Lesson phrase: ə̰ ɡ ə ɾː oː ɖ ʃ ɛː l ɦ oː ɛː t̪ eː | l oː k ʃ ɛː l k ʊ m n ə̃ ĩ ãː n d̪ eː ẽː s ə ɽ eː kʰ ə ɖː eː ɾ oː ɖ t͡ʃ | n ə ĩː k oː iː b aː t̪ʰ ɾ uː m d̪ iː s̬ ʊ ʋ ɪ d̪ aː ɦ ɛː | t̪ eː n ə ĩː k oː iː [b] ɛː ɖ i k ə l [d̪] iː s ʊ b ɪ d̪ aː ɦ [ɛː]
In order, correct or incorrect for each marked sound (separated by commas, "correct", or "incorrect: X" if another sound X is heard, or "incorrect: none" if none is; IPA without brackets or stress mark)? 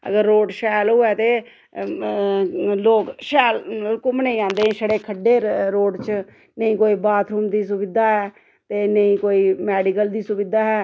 incorrect: m, correct, correct